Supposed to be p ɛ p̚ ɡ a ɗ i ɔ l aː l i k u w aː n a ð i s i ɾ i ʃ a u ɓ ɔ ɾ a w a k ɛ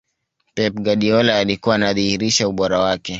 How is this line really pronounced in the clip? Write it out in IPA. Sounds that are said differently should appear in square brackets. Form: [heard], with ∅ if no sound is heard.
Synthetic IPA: p ɛ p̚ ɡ a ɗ i ɔ l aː l i k u w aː n a ð i [h] i ɾ i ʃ a u ɓ ɔ ɾ a w a k ɛ